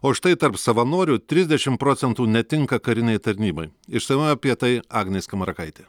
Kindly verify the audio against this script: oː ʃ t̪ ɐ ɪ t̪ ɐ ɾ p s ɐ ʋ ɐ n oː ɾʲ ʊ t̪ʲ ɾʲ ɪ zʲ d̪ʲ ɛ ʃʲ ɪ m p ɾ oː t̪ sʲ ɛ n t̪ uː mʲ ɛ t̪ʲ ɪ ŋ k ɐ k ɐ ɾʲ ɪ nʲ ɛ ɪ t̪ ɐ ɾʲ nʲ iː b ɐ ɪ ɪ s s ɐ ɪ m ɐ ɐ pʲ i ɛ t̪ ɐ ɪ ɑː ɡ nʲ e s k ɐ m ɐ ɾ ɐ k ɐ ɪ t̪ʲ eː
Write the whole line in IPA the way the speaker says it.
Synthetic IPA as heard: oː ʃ t̪ ɐ ɪ t̪ ɐ ɾ p s ɐ ʋ ɐ n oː ɾʲ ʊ t̪ʲ ɾʲ ɪ zʲ d̪ʲ ɛ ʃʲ ɪ m p ɾ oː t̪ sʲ ɛ n t̪ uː nʲ ɛ t̪ʲ ɪ ŋ k ɐ k ɐ ɾʲ ɪ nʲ ɛ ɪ t̪ ɐ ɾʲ nʲ iː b ɐ ɪ ɪ ʃ s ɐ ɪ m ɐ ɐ pʲ i ɛ t̪ ɐ ɪ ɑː ɡ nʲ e s k ɐ m ɐ ɾ ɐ k ɐ ɪ t̪ʲ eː